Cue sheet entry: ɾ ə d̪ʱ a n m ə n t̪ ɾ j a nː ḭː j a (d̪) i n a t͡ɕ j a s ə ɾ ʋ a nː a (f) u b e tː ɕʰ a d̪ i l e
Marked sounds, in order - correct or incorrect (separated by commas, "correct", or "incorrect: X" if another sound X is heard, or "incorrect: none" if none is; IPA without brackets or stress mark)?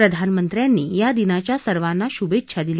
correct, incorrect: ɕ